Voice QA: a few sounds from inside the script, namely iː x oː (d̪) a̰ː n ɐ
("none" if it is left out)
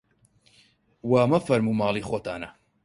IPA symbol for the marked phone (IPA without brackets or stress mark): t̪